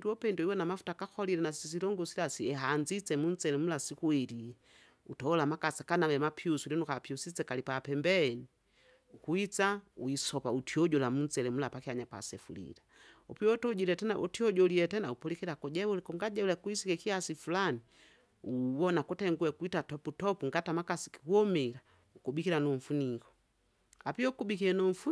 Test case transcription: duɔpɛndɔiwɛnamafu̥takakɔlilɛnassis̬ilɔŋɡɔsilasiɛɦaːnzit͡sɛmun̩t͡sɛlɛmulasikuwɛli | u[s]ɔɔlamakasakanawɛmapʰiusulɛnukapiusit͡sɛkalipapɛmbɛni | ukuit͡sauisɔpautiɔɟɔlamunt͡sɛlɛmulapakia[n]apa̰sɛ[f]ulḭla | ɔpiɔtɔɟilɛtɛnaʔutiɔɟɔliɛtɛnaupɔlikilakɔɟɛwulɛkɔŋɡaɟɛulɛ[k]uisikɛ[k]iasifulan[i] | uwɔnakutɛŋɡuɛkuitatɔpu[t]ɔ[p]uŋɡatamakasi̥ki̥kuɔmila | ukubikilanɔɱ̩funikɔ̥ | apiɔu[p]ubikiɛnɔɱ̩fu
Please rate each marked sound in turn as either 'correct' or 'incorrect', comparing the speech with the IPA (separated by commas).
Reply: incorrect, incorrect, correct, correct, correct, correct, correct, correct, incorrect